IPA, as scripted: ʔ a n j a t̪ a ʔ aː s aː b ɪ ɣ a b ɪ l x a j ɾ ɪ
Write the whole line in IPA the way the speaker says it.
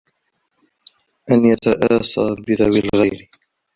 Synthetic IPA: ʔ a n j a t̪ a ʔ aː s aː b ɪ ð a w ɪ l ɣ a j ɾ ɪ